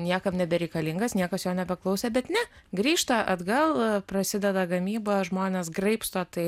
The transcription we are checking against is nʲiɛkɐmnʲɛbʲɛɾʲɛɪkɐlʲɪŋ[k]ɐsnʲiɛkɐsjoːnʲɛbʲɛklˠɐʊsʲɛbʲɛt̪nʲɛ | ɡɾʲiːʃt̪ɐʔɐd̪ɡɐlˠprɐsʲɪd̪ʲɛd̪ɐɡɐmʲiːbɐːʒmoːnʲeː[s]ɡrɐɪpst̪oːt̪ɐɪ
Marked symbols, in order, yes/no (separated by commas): no, yes